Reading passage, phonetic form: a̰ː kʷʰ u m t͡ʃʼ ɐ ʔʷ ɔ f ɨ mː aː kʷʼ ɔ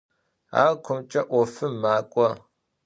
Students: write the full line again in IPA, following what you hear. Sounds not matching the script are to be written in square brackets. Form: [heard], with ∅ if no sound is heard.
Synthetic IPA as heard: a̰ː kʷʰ [ʊ] m t͡ʃʼ ɐ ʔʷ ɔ f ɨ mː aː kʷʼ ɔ